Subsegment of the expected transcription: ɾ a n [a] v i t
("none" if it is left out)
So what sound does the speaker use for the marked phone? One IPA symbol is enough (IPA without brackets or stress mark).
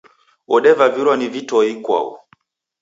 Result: i